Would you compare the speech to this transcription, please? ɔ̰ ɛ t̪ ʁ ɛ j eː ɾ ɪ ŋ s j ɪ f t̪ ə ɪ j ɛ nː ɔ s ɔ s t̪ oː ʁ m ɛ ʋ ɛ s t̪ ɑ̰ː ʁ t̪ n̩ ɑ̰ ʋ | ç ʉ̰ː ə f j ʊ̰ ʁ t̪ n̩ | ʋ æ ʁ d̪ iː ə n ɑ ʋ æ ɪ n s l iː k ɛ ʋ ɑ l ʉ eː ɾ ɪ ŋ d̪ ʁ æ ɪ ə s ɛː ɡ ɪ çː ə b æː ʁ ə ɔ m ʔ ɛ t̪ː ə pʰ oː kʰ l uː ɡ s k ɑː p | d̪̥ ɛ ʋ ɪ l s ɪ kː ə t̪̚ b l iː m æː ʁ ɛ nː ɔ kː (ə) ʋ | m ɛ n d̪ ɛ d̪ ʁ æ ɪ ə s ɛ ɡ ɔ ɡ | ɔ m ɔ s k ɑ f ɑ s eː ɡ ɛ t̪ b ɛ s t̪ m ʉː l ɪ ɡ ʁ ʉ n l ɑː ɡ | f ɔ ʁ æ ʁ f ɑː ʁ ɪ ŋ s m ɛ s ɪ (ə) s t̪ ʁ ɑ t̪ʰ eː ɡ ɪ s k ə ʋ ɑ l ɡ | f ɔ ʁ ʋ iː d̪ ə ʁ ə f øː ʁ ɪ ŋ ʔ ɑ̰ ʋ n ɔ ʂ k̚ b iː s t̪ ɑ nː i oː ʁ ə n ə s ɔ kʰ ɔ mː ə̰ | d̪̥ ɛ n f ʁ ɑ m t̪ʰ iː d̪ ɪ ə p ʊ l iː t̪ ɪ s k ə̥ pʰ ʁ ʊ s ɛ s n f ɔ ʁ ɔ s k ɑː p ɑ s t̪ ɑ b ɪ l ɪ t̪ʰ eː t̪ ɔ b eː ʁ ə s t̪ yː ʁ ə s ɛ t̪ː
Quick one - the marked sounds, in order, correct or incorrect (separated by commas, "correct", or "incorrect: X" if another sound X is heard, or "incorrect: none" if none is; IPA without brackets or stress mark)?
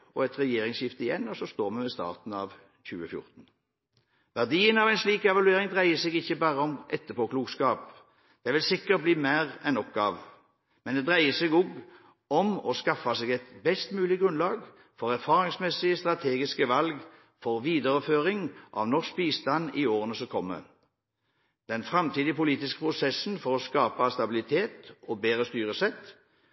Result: incorrect: ɑ, correct